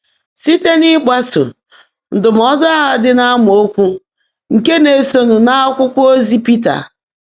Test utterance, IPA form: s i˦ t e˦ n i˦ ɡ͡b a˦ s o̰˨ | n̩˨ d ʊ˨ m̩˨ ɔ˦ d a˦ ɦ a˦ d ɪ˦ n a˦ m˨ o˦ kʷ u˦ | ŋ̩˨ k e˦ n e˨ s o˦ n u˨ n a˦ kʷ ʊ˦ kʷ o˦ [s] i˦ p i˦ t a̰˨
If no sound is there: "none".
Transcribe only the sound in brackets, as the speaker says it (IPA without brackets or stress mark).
z